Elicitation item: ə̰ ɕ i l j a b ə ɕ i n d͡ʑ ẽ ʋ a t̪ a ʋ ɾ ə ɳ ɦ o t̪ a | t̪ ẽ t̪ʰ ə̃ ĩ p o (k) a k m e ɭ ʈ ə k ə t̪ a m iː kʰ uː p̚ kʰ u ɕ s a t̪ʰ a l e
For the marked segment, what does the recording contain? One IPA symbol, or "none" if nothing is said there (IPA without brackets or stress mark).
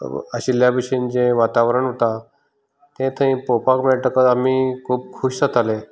p